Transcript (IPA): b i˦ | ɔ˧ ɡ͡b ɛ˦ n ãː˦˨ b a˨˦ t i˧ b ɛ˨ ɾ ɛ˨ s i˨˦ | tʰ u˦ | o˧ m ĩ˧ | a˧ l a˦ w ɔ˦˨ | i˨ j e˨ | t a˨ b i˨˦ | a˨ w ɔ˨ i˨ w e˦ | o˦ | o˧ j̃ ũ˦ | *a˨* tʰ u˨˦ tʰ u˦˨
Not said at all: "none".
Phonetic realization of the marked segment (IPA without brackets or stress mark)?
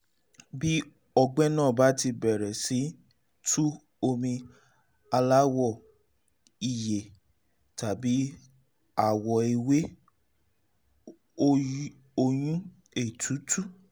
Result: e˨